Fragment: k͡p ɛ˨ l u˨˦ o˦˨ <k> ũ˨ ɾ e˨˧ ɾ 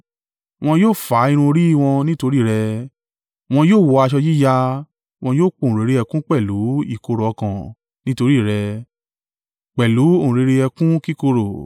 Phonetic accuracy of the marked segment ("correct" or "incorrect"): incorrect